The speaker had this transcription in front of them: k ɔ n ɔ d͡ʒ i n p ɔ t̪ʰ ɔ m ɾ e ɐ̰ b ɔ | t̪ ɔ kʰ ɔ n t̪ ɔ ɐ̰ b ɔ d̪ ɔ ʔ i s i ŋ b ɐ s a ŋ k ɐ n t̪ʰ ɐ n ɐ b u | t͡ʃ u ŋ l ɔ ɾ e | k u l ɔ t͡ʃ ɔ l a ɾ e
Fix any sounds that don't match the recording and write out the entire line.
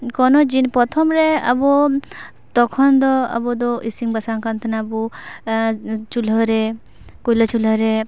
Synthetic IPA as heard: k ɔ n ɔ d͡ʒ i n p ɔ t̪ʰ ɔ m ɾ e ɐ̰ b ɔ | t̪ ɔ kʰ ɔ n d̪ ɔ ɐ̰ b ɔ d̪ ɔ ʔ i s i ŋ b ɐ s a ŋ k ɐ n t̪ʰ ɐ n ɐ b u | t͡ʃ u l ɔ ɾ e | k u l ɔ t͡ʃ u l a ɾ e